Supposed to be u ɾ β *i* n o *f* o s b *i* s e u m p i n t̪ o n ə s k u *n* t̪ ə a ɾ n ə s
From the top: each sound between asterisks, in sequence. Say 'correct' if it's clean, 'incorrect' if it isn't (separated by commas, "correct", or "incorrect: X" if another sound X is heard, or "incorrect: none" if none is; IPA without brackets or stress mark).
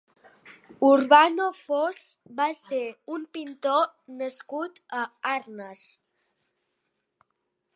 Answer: incorrect: a, correct, incorrect: a, incorrect: none